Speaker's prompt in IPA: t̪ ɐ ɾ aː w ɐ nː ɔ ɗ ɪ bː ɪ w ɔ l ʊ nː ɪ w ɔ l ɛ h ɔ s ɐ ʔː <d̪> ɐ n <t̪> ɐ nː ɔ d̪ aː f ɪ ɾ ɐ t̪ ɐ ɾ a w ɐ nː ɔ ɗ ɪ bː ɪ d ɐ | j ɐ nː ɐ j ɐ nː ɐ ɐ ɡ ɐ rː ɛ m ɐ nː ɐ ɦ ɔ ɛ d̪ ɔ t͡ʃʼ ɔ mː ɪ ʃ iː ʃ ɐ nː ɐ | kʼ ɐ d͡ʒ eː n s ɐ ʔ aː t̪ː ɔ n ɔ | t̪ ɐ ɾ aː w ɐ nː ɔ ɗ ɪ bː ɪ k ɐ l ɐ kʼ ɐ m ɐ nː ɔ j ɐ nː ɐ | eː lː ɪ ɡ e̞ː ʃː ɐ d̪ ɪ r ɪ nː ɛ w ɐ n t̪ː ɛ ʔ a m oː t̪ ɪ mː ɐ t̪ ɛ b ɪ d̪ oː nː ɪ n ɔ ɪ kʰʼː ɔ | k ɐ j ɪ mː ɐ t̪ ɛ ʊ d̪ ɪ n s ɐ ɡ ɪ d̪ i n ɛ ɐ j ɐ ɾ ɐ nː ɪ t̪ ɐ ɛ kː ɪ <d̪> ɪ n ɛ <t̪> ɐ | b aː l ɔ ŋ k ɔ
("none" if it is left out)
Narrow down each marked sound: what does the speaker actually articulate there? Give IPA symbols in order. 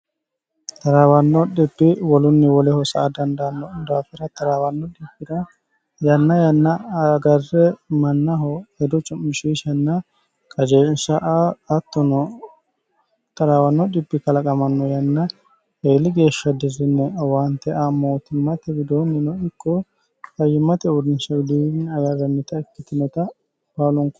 d̪, d̪, t̪, t̪

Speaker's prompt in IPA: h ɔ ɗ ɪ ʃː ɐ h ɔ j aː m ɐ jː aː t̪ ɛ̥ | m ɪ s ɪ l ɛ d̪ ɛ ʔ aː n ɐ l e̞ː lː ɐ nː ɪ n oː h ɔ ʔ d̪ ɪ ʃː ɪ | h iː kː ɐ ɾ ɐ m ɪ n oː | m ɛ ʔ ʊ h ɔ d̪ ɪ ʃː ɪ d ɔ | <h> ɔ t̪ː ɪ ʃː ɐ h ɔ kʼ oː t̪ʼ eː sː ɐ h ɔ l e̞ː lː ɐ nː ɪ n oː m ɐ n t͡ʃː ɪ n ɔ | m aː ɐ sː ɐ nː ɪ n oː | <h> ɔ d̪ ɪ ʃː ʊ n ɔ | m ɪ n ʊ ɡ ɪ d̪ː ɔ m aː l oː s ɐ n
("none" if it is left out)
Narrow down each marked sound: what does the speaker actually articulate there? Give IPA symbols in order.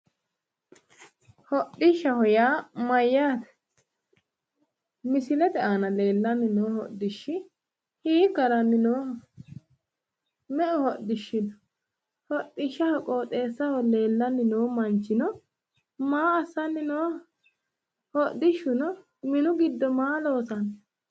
h, h

